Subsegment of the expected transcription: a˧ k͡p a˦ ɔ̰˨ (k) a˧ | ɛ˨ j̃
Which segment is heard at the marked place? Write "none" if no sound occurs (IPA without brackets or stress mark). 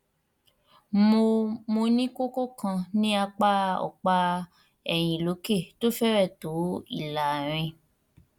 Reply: k͡p